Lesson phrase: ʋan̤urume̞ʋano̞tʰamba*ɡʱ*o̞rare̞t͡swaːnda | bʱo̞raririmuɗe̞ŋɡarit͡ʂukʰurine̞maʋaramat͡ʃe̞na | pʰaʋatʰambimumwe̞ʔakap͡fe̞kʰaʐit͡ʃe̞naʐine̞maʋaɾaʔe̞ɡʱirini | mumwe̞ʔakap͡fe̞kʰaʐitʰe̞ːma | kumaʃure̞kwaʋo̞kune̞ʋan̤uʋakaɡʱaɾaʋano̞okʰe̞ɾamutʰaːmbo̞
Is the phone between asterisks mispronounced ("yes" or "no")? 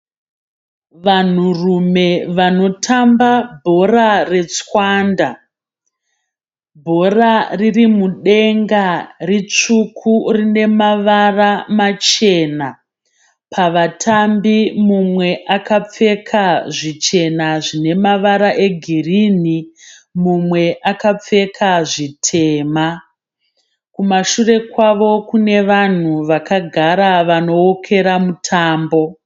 yes